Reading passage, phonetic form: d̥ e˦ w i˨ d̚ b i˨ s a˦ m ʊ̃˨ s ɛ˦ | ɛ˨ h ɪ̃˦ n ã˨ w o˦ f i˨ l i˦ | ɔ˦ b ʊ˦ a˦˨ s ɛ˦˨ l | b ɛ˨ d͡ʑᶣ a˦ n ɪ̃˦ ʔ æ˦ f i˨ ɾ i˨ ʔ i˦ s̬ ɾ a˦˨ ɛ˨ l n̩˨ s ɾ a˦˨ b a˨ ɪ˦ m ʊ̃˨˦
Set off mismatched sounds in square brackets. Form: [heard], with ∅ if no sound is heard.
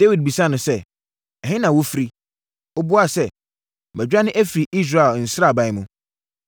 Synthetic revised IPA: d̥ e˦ w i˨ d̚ b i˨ s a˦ [n] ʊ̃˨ s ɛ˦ | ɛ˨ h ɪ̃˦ n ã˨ w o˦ f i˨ [ɾ] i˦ | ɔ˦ b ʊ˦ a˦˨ s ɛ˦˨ [∅] | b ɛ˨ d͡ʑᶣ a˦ n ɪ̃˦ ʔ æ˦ f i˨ ɾ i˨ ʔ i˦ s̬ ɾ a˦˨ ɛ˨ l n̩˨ s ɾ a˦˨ b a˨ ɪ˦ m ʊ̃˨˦